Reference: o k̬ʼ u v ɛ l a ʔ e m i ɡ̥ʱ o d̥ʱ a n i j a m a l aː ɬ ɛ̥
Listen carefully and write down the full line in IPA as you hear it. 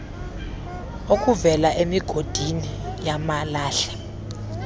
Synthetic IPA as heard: o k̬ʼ u v ɛ l a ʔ e m i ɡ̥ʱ o d̥ʱ i n i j a m a l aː ɬ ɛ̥